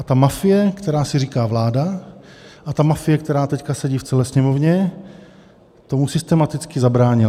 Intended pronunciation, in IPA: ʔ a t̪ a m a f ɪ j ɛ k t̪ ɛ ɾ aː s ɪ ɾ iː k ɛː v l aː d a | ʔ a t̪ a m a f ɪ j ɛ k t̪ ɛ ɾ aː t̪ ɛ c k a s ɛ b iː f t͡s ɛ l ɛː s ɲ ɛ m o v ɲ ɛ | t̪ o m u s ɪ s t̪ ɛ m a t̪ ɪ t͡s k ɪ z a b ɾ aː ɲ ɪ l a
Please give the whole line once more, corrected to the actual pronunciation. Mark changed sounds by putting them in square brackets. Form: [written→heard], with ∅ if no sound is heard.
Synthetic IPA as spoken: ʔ a t̪ a m a f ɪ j ɛ k t̪ ɛ ɾ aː s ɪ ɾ iː k [ɛː→aː] v l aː d a | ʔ a t̪ a m a f ɪ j ɛ k t̪ ɛ ɾ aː t̪ ɛ c k a s ɛ [b→ɟ] iː f t͡s ɛ l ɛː s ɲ ɛ m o v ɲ ɛ | t̪ o m u s ɪ s t̪ ɛ m a t̪ ɪ t͡s k ɪ z a b ɾ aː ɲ ɪ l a